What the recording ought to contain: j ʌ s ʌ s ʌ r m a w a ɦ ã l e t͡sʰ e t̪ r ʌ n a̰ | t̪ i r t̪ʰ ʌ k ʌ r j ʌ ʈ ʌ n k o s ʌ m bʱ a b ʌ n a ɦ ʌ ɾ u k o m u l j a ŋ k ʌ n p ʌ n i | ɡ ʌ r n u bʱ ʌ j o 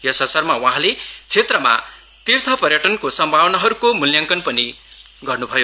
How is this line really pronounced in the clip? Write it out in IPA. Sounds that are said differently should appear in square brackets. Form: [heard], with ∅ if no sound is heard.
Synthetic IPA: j ʌ s ʌ s ʌ r m a w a ɦ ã l e t͡sʰ e t̪ r ʌ [m] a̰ | t̪ i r t̪ʰ ʌ [p] ʌ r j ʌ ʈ ʌ n k o s ʌ m bʱ a [w] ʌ n a ɦ ʌ ɾ u k o m u l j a ŋ k ʌ n p ʌ n i | ɡ ʌ r n u bʱ ʌ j o